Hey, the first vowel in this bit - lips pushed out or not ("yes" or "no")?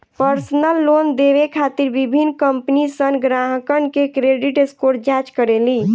no